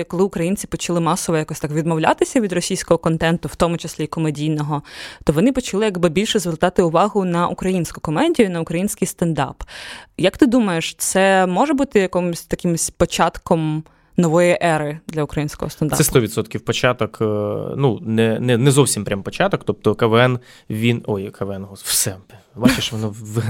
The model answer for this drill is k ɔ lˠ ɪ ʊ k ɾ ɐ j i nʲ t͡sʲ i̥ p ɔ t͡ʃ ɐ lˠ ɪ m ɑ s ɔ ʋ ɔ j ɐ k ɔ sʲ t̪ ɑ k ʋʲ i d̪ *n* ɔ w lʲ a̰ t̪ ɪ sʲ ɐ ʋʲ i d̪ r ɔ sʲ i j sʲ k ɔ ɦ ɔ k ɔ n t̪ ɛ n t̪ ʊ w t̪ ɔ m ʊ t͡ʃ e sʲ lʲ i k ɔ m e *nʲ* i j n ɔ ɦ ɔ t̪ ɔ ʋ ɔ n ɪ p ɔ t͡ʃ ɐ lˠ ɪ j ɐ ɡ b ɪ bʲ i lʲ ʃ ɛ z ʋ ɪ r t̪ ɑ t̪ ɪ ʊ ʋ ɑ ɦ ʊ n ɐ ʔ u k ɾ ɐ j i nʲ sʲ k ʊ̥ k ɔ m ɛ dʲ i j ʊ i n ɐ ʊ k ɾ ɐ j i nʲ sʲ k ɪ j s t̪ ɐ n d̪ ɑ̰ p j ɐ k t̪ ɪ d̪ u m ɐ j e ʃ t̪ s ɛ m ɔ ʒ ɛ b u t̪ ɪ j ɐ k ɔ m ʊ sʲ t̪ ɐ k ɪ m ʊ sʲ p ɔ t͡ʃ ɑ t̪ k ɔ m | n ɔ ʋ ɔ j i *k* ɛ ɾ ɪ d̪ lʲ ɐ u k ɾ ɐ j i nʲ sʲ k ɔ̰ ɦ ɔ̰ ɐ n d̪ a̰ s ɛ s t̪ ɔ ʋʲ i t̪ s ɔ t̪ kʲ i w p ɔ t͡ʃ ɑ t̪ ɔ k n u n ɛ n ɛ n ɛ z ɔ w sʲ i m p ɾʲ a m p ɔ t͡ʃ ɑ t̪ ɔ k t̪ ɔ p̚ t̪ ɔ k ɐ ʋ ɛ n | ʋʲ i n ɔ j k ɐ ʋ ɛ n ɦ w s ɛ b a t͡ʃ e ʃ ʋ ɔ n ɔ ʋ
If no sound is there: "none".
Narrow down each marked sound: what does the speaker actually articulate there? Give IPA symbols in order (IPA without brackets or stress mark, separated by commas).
m, dʲ, ʔ